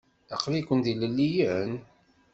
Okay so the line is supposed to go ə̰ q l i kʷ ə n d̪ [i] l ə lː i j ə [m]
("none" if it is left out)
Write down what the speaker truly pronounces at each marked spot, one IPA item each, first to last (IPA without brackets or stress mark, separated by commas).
i, n